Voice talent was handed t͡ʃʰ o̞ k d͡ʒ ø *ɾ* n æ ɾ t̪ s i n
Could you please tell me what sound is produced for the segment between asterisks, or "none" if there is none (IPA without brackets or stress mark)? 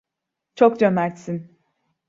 none